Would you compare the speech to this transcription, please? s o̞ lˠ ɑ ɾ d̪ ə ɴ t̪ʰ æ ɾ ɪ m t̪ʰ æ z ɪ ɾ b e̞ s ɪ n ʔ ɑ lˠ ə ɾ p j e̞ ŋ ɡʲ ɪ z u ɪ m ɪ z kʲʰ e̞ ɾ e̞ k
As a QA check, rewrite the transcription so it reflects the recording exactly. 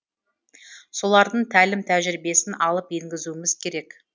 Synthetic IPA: s o̞ lˠ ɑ ɾ d̪ ə ɴ t̪ʰ æ l ɪ m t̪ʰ æ ʒ ɪ ɾ b e̞ s ɪ n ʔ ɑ lˠ ə p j e̞ ŋ ɡʲ ɪ z u ɪ m ɪ z kʲʰ e̞ ɾ e̞ k